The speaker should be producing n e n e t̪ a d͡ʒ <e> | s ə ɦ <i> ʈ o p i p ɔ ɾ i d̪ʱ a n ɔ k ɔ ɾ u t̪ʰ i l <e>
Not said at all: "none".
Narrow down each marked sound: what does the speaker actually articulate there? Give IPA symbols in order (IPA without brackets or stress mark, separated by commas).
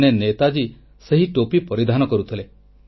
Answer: i, i, e